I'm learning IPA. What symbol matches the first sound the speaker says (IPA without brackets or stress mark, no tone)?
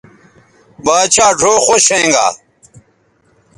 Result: b